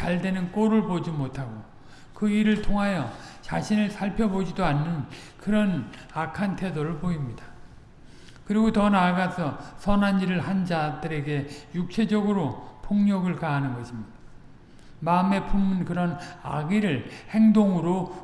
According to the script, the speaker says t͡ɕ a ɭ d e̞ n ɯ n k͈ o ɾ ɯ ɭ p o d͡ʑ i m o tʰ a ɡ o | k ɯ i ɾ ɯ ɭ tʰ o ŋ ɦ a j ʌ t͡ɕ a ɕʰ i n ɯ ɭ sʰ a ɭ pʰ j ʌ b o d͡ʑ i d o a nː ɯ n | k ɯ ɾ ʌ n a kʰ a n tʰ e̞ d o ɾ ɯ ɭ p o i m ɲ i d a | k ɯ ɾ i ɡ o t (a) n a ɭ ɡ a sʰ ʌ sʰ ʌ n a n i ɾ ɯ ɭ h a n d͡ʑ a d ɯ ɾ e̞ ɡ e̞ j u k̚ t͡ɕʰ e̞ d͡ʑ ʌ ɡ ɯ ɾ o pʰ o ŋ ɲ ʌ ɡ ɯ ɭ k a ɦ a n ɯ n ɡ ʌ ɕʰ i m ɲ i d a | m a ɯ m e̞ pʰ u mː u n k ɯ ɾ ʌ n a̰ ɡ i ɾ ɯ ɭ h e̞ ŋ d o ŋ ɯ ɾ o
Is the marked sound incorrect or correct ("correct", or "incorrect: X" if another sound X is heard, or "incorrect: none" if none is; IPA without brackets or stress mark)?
incorrect: ʌ